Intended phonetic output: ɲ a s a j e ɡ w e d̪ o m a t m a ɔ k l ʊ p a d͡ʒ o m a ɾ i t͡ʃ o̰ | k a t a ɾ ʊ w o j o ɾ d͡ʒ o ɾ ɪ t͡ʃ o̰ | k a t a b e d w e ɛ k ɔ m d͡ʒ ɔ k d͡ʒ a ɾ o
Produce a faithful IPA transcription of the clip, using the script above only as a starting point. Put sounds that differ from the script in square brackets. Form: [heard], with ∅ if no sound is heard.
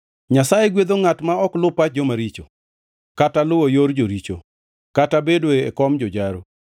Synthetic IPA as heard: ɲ a s a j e ɡ w e d̪ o [ŋ] a t m a ɔ k l ʊ p a d͡ʒ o m a ɾ i t͡ʃ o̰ | k a t a [l] ʊ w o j o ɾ d͡ʒ o ɾ [i] t͡ʃ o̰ | k a t a b e d w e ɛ k ɔ m d͡ʒ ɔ [∅] d͡ʒ a ɾ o

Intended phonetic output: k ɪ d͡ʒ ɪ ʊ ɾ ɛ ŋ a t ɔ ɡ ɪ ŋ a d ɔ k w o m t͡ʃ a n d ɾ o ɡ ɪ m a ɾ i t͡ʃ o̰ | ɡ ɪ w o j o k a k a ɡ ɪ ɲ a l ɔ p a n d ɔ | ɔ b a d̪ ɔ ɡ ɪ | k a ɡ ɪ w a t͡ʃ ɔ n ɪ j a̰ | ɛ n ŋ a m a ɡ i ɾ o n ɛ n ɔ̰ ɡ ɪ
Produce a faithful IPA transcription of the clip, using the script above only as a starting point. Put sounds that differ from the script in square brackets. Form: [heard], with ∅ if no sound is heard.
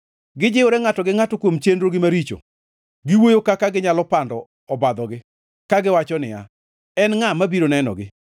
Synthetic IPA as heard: [ɡ] ɪ d͡ʒ ɪ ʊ ɾ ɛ ŋ a t ɔ ɡ ɪ ŋ a [t] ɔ k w o m t͡ʃ [e] n d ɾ o ɡ ɪ m a ɾ i t͡ʃ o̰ | ɡ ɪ w o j o k a k a ɡ ɪ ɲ a l ɔ p a n d ɔ | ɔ b a d̪ ɔ ɡ ɪ | k a ɡ ɪ w a t͡ʃ ɔ n ɪ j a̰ | ɛ n ŋ a m a [b] i ɾ o n ɛ n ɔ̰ ɡ ɪ

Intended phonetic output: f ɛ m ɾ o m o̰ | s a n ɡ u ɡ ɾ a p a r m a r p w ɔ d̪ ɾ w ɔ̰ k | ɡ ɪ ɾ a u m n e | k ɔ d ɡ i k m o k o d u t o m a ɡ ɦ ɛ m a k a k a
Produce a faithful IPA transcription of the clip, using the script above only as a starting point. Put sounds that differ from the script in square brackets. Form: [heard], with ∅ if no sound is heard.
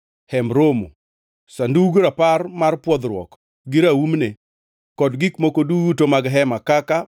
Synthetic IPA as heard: [h] ɛ m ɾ o m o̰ | s a n [d] u ɡ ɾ a p a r m a r p w ɔ d̪ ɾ w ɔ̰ k | ɡ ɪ ɾ a u m n e | k ɔ d ɡ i k m o k o d u t o m a ɡ ɦ ɛ m a k a k a

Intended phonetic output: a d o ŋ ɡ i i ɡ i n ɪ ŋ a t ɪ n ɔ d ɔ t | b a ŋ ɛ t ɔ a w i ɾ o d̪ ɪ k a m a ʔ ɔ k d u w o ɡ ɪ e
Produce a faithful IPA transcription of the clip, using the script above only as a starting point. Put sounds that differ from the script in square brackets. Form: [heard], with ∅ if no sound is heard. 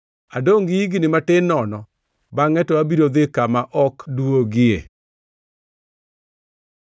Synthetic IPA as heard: a d o ŋ ɡ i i ɡ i n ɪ [m] a t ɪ n ɔ [n] ɔ [∅] | b a ŋ ɛ t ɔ a [b] i ɾ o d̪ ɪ k a m a ʔ ɔ k d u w o ɡ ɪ e

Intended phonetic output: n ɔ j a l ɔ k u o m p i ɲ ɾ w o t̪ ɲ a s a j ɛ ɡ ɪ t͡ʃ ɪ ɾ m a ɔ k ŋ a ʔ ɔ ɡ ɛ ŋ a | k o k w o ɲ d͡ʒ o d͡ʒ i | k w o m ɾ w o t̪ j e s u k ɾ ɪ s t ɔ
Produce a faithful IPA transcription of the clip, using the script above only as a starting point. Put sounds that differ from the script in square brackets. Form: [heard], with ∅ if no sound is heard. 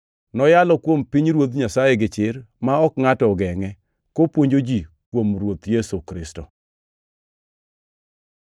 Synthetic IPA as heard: n ɔ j a l ɔ k [w] o m p i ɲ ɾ w o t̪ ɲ a s a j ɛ ɡ ɪ t͡ʃ ɪ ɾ m a ɔ k ŋ a [t] ɔ ɡ ɛ ŋ [ɛ] | k o [p] w o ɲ d͡ʒ o d͡ʒ i | k w o m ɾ w o t̪ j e s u k ɾ ɪ s t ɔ

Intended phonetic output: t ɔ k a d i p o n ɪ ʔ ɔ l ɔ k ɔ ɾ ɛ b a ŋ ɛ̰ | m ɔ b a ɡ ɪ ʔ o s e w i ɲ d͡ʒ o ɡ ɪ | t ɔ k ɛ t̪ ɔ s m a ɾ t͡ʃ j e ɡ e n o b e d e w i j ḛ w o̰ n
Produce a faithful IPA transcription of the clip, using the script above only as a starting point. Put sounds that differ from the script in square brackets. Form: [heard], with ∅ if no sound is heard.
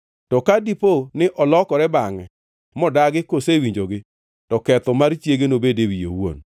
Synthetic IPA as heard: t ɔ k a d i p o n ɪ ʔ ɔ l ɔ k ɔ ɾ ɛ b a ŋ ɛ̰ | m ɔ [d] a ɡ ɪ [k] o s e w i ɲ d͡ʒ o ɡ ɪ | t ɔ k ɛ t̪ ɔ [∅] m a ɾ t͡ʃ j e ɡ e n o b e d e w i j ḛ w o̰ n

